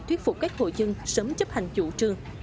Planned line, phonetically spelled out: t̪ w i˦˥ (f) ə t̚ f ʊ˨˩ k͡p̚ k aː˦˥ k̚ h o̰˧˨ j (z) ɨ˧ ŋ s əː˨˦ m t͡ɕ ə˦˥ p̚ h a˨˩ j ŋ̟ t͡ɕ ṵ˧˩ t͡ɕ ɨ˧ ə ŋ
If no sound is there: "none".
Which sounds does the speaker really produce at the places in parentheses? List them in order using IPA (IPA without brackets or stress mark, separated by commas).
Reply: none, z